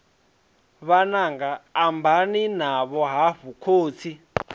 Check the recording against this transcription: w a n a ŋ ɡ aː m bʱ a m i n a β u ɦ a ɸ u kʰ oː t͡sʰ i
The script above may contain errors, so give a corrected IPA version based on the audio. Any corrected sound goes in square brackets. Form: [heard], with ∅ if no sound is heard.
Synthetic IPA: [β] a n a ŋ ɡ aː m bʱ a [n] i n a β [ɔ] ɦ a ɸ u kʰ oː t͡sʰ i